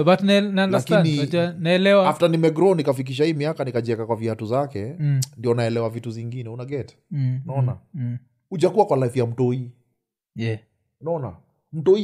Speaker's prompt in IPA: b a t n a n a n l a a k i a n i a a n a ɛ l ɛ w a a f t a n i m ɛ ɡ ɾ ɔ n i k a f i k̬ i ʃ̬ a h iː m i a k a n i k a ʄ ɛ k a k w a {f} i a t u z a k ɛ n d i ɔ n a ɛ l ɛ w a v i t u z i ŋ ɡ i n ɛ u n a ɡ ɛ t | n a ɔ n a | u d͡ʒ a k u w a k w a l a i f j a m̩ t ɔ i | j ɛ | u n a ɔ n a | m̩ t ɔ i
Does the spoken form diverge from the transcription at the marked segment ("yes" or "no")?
yes